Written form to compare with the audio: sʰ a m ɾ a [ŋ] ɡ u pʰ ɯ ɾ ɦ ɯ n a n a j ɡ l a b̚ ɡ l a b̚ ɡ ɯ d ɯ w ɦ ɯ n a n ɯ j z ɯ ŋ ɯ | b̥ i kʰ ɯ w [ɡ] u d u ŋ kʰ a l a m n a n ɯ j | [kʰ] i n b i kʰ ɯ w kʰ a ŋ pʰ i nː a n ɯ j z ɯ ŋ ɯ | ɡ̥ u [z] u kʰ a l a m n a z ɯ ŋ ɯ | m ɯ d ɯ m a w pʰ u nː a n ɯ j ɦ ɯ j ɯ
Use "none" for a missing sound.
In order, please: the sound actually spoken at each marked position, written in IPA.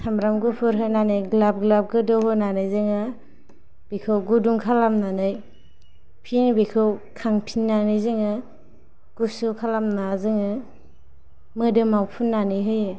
m, ɡ, pʰ, s

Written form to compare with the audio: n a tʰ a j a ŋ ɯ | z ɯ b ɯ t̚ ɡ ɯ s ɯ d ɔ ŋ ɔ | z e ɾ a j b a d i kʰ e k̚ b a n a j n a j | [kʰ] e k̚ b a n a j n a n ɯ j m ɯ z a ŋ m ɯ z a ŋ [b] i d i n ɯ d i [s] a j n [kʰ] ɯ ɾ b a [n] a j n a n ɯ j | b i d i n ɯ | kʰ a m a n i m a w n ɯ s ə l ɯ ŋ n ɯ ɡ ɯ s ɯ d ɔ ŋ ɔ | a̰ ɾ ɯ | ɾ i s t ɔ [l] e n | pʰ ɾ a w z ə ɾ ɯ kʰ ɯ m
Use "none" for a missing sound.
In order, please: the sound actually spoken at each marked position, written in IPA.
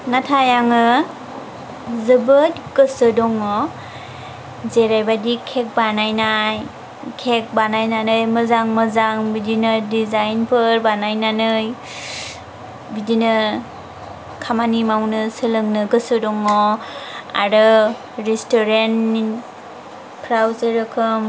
kʰ, b, z, pʰ, n, ɾ

